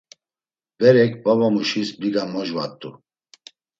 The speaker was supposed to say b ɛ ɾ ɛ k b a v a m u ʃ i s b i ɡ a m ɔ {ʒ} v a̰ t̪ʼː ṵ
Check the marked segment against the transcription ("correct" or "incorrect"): correct